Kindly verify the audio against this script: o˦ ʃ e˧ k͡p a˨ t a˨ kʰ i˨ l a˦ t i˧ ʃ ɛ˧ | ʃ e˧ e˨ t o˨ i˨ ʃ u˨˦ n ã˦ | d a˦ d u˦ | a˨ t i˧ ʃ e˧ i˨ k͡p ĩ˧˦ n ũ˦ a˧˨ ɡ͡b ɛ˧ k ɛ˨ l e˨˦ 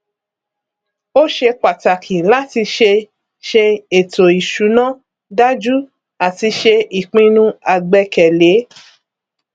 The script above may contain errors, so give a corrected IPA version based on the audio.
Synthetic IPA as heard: o˦ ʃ e˧ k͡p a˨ t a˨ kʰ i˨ l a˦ t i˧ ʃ e˧ | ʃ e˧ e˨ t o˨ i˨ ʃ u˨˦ n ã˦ | d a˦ d͡ʒ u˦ | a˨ t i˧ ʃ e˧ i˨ k͡p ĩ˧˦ n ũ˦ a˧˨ ɡ͡b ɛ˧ k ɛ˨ l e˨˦